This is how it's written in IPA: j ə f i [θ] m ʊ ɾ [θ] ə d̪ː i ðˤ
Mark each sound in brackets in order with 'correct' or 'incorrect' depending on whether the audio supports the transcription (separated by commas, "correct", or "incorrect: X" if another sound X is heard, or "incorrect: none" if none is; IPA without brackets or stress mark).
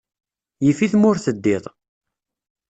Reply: correct, correct